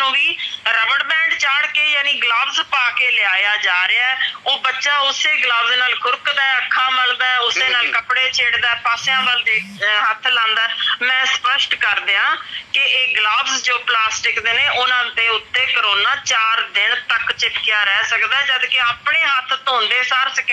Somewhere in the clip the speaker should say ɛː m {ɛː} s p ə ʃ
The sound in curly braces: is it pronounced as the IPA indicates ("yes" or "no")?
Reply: no